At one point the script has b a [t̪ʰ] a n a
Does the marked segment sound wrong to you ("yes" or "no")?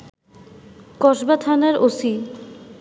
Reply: no